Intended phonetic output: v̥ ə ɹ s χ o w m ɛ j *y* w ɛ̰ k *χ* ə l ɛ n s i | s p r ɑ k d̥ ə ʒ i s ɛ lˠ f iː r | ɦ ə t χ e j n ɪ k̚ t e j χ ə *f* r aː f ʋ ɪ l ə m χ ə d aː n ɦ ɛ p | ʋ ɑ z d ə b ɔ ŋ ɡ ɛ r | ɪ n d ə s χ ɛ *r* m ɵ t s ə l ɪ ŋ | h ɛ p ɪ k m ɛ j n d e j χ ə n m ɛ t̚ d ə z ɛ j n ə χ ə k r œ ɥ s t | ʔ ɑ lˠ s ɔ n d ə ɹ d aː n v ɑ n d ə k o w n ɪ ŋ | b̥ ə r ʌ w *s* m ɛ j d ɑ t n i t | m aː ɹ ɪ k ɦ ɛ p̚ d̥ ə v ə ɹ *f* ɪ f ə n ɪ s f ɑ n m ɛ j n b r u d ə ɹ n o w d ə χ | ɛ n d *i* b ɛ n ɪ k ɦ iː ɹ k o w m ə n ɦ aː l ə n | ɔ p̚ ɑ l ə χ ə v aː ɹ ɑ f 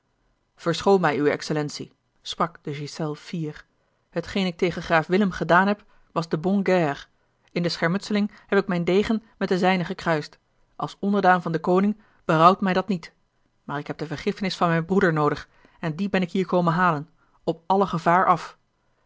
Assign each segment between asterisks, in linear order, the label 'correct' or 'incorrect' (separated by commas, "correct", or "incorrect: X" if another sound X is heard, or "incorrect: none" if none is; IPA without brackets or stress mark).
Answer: correct, incorrect: s, incorrect: χ, incorrect: ɹ, incorrect: t, incorrect: χ, correct